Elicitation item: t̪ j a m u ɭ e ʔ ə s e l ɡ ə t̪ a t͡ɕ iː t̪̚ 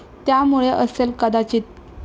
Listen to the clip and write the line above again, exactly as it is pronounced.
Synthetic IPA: t̪ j a m u ɭ e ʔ ə s e l k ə d̪ a t͡ɕ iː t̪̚